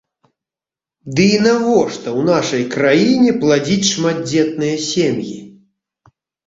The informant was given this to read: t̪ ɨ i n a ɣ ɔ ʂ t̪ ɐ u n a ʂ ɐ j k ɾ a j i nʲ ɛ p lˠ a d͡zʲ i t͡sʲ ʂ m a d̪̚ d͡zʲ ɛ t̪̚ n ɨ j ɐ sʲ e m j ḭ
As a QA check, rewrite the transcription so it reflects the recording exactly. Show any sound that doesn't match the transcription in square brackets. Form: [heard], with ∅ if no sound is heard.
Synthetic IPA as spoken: [d̪] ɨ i n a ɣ ɔ ʂ t̪ ɐ [w] n a ʂ ɐ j k ɾ a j i nʲ ɛ p lˠ a d͡zʲ i t͡sʲ ʂ m a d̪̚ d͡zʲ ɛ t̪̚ n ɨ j ɐ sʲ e m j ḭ

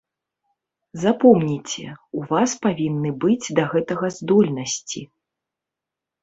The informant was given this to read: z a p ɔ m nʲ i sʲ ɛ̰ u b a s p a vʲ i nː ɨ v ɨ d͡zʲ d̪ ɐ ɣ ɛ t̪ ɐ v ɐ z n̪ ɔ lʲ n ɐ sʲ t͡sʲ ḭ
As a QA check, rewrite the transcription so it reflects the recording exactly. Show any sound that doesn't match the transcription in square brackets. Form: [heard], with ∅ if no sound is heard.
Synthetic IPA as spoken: z a p ɔ m nʲ i [t͡sʲ] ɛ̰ u [v] a s p a vʲ i nː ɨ [b] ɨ d͡zʲ d̪ ɐ ɣ ɛ t̪ ɐ [ɣ] ɐ z [d̪] ɔ lʲ n ɐ sʲ t͡sʲ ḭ

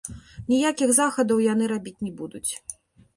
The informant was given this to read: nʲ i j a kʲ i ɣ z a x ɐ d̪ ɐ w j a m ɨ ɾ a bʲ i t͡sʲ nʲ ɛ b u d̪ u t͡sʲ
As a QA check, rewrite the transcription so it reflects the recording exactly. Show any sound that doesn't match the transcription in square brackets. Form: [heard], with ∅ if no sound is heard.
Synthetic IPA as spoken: nʲ i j a kʲ i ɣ z a x ɐ d̪ ɐ w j a [n] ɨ ɾ a bʲ i t͡sʲ nʲ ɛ b u d̪ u t͡sʲ

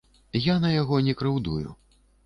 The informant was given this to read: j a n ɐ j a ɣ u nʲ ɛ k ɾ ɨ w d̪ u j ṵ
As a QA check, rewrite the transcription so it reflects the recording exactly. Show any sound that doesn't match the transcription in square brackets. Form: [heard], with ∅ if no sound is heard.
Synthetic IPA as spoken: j a n ɐ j a ɣ [ɔ] nʲ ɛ k ɾ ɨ w d̪ u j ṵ

